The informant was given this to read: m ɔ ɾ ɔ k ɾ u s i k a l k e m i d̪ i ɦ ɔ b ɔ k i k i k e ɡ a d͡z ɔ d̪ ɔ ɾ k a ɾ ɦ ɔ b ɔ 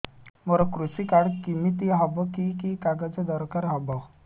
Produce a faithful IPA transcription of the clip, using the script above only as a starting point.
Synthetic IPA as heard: m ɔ ɾ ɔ k ɾ u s i k a ɽ k i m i t̪ i ɦ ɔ b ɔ k i k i k a ɡ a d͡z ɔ d̪ ɔ ɾ k a ɾ ɦ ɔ b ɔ